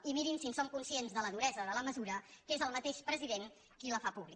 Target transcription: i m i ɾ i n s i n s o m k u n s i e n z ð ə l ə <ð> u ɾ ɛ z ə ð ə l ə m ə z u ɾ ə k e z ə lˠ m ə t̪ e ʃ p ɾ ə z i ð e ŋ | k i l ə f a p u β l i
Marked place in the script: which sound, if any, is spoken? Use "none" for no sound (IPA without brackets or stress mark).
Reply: ð